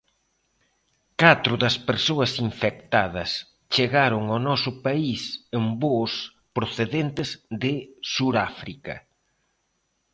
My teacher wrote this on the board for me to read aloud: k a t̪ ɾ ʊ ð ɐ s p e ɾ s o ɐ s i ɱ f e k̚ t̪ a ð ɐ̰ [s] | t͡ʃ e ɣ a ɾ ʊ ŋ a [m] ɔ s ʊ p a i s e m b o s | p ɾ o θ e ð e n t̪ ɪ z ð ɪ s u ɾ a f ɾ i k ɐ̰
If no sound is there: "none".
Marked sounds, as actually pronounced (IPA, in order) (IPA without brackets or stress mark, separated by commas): s, n